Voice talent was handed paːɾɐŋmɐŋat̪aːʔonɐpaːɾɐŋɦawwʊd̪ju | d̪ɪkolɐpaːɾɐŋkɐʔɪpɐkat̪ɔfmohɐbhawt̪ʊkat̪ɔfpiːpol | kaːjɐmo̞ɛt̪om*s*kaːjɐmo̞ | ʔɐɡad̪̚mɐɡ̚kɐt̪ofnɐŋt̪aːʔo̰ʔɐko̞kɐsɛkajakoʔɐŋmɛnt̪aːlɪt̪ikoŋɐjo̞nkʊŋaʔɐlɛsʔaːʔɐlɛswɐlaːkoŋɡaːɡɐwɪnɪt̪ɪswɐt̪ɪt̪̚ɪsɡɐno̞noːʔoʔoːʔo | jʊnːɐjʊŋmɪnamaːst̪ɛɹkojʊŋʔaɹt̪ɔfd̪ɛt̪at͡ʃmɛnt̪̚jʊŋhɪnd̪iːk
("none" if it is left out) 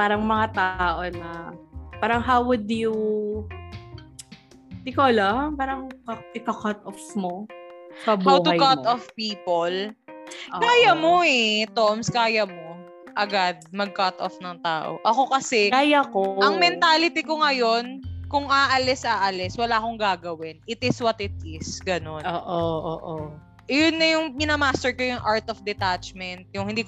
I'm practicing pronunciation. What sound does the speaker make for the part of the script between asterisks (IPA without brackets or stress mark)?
s